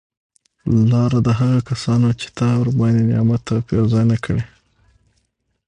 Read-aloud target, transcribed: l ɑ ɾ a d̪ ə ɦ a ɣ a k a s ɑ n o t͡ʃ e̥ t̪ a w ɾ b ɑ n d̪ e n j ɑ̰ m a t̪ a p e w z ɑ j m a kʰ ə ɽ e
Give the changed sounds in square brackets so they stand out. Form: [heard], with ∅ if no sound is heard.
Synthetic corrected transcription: l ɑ ɾ a d̪ ə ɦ a ɣ a k a s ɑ n o t͡ʃ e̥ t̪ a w ɾ b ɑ n d̪ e n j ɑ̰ m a t̪ a p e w z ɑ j [n] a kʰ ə ɽ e